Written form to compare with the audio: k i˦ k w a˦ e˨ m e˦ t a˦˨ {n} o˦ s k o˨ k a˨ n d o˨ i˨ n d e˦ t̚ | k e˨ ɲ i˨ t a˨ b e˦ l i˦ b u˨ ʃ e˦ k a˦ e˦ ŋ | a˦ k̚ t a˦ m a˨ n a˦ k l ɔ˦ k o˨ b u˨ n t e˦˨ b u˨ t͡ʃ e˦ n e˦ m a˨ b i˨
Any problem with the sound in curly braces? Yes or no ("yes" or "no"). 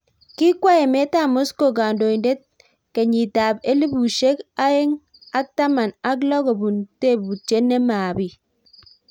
yes